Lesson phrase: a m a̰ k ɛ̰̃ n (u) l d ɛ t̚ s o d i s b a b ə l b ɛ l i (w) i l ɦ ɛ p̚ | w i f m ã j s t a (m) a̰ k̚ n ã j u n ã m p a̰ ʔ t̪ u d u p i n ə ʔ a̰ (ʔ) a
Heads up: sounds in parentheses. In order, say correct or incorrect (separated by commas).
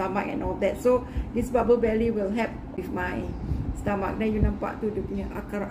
incorrect, correct, correct, incorrect